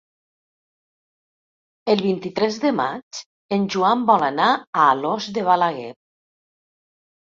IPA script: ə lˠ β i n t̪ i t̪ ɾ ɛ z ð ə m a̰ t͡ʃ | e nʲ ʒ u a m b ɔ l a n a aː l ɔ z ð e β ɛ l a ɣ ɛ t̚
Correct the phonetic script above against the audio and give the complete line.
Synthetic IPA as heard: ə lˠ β i n t̪ i t̪ ɾ ɛ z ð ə m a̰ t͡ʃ | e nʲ ʒ u a m b ɔ l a n a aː l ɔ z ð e β a l a ɣ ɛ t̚